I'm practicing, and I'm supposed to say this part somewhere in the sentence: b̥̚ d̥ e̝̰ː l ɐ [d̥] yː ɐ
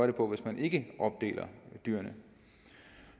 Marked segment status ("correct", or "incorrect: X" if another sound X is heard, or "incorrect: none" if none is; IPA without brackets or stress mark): correct